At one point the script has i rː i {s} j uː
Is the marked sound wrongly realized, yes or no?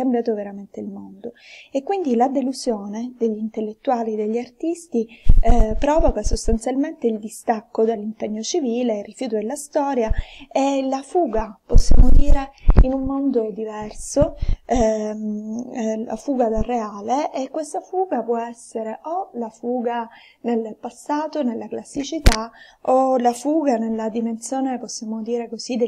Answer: yes